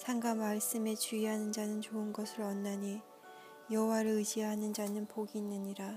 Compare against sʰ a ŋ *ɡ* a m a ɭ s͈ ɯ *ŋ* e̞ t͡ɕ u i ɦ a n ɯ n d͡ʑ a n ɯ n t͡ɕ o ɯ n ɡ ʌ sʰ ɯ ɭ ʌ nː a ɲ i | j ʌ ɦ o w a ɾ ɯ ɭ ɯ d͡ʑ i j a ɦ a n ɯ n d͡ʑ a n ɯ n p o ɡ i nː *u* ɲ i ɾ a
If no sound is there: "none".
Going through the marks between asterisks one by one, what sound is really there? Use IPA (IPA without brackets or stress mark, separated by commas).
ɡ, m, ɯ